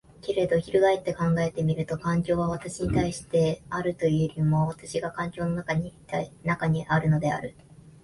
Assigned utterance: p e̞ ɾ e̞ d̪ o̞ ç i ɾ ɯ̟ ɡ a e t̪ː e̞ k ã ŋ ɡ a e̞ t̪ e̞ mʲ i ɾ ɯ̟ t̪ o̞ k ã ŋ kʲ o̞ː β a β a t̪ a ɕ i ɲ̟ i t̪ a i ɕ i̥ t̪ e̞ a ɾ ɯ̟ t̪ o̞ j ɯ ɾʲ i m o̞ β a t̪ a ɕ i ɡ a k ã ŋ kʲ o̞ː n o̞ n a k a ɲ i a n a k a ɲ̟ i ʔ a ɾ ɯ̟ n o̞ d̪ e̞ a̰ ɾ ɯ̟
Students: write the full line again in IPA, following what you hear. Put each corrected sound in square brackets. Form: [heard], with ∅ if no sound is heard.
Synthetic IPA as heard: [k] e̞ ɾ e̞ d̪ o̞ ç i ɾ ɯ̟ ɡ a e t̪ː e̞ k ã ŋ ɡ a e̞ t̪ e̞ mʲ i ɾ ɯ̟ t̪ o̞ k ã ŋ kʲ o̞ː β a β a t̪ a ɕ i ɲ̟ i t̪ a i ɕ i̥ t̪ e̞ a ɾ ɯ̟ t̪ o̞ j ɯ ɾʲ i m o̞ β a t̪ a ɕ i ɡ a k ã ŋ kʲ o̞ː n o̞ n a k a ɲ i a n a k a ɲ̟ i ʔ a ɾ ɯ̟ n o̞ d̪ e̞ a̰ ɾ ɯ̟